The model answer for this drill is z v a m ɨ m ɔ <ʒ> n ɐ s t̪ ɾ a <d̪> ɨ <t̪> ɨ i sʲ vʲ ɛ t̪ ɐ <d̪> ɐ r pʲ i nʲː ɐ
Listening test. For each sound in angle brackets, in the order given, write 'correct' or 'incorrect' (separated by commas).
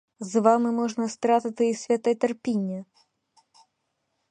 incorrect, incorrect, correct, incorrect